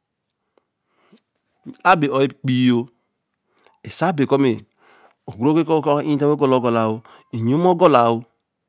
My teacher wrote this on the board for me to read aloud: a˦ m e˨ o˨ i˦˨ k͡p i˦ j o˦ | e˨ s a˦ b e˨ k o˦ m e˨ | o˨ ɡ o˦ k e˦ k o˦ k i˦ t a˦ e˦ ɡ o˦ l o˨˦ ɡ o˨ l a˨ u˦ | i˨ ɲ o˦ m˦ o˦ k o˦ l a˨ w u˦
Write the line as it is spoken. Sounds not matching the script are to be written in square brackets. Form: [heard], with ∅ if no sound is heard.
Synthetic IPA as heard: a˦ [b] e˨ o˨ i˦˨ k͡p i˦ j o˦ | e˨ s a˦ b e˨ k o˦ m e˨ | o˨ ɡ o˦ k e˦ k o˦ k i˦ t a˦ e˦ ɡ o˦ l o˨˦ ɡ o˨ l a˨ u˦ | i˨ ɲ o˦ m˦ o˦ [ɡ] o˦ l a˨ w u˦

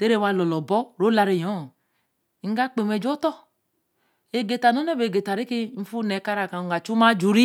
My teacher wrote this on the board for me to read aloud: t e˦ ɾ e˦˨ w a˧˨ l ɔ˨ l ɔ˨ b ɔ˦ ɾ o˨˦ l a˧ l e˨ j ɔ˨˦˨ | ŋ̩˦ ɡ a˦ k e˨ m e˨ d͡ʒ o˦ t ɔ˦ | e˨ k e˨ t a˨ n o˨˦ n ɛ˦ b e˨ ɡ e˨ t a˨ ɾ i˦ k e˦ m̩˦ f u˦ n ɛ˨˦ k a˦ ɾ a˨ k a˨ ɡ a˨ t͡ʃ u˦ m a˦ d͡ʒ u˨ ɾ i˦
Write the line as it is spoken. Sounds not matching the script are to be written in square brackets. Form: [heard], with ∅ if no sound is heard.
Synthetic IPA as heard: t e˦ ɾ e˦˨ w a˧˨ l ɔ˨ l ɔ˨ b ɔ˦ ɾ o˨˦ l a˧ [ɾ] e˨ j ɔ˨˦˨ | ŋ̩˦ ɡ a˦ [k͡p] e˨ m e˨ d͡ʒ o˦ t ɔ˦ | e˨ [ɡ] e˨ t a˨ n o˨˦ n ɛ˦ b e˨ ɡ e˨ t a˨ ɾ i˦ k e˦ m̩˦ f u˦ n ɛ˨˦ k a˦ ɾ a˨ k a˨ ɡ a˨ t͡ʃ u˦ m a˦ d͡ʒ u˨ ɾ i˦

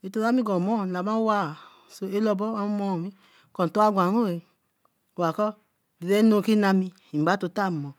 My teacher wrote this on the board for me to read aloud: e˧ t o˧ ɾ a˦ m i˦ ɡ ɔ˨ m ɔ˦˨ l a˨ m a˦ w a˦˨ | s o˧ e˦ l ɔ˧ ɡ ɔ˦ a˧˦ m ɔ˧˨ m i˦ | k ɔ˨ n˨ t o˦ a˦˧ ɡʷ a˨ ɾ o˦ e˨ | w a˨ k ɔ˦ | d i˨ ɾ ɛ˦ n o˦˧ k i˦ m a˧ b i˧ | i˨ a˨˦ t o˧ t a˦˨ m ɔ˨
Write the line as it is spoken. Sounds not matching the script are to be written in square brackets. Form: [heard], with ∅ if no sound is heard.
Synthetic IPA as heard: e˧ t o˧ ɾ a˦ m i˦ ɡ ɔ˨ m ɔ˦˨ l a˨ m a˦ w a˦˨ | s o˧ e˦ l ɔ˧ [b] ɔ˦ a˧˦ m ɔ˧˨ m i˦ | k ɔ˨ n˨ t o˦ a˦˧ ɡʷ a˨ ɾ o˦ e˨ | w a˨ k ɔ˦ | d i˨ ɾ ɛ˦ n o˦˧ k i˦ [n] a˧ [m] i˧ | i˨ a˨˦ t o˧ t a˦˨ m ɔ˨

